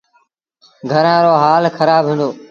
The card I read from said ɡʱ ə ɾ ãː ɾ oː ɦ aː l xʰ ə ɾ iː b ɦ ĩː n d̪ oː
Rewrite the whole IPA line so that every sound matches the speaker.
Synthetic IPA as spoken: ɡʱ ə ɾ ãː ɾ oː ɦ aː l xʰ ə ɾ aː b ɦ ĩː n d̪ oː